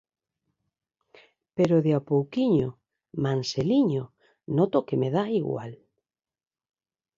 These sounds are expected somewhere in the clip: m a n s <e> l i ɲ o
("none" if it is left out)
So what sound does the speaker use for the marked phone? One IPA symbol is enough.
e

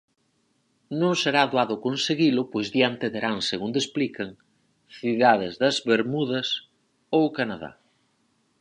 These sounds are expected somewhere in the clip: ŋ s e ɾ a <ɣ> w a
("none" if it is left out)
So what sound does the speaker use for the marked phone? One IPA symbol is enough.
ð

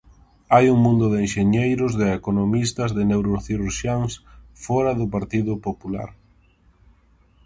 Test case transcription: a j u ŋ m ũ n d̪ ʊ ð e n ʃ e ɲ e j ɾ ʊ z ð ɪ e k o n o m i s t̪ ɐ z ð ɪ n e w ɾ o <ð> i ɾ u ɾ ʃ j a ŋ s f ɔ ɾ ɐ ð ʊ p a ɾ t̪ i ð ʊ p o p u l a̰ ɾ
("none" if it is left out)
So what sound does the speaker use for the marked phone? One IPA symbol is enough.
θ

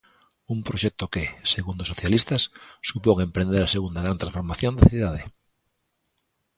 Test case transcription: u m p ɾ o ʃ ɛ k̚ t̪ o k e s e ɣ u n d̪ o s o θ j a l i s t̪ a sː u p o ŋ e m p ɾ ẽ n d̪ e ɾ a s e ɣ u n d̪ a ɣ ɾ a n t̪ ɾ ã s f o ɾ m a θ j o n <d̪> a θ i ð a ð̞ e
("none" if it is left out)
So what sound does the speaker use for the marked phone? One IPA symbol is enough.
d̪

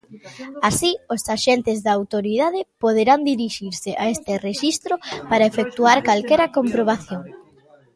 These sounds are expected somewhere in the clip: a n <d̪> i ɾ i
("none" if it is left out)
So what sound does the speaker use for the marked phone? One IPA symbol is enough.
d̪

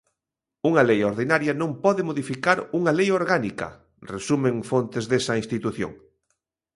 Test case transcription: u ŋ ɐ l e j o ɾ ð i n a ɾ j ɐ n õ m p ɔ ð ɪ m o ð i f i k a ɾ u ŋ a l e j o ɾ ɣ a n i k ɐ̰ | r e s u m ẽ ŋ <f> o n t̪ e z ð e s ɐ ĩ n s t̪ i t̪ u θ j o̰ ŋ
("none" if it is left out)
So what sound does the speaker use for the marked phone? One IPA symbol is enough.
f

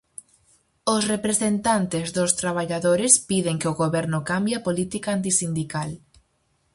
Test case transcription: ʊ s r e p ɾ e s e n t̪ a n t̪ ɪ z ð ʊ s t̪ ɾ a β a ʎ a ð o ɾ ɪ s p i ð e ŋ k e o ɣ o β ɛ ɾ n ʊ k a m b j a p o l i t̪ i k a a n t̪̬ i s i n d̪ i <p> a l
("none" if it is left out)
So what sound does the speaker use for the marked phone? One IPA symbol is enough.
k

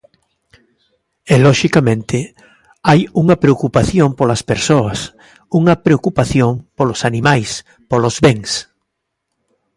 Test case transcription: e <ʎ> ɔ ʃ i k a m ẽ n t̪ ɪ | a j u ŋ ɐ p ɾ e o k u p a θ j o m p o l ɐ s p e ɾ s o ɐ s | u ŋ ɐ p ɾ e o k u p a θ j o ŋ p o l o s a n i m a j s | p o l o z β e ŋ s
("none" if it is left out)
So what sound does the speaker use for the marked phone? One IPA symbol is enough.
l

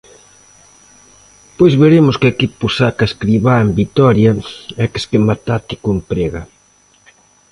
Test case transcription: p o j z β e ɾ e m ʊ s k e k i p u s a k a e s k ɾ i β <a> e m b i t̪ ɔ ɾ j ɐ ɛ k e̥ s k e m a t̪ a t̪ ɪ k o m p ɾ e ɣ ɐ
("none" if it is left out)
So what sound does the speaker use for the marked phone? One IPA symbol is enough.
a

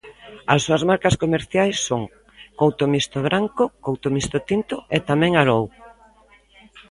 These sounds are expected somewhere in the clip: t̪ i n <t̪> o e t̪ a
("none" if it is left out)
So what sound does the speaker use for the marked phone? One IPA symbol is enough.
t̪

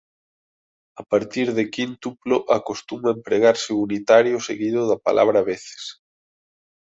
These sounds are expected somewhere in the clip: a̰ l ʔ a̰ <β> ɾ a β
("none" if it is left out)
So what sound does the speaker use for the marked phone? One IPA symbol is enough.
β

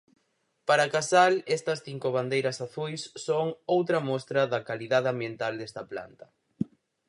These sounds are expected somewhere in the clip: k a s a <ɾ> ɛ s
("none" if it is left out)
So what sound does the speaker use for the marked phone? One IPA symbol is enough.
l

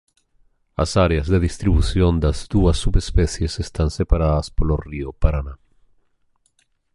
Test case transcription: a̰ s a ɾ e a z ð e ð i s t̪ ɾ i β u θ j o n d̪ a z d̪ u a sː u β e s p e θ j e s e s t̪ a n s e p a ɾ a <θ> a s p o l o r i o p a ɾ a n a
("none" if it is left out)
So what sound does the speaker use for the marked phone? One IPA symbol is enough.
ð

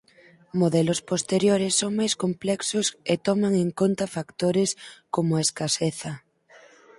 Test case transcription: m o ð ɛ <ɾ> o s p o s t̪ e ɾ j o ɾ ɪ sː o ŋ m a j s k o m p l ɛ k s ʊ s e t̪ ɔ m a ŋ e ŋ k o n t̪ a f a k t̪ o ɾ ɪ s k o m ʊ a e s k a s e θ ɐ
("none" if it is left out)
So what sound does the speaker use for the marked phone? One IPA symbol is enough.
l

